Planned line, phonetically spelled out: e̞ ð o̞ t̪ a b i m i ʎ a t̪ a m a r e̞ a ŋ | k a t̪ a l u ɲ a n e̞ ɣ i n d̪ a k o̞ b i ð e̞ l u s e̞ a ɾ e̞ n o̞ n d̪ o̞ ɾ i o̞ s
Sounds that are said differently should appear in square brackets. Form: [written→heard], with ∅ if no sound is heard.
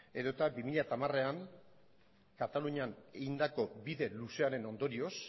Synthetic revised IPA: e̞ ð o̞ t̪ a b i m i ʎ a t̪ a m a r e̞ a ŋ | k a t̪ a l u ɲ a n e̞ ɣ i n d̪ a k o̞ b i ð e̞ l u s e̞ a ɾ e̞ n o̞ n d̪ o̞ ɾ i o̞ s